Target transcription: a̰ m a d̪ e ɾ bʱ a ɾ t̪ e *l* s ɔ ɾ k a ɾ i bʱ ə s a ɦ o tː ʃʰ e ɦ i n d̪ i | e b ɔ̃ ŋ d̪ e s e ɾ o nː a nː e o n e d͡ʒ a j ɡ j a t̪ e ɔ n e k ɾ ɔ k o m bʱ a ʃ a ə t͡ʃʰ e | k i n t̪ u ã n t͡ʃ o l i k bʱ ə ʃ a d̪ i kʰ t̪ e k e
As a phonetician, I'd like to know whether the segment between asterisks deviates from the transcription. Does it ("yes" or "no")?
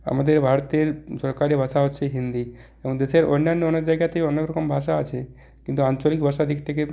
yes